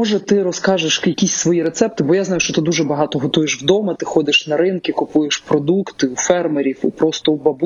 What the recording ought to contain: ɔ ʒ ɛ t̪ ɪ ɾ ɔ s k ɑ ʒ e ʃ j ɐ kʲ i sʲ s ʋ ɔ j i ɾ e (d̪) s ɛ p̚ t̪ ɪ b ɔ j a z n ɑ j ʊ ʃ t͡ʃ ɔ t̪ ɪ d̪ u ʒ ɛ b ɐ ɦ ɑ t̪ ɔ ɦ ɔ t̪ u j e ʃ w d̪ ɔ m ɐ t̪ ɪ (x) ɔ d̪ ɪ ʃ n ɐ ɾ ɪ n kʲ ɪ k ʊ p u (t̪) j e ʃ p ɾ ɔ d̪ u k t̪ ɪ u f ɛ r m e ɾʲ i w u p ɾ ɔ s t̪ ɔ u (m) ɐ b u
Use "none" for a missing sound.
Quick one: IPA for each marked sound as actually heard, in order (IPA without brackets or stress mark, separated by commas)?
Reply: t̪, x, none, b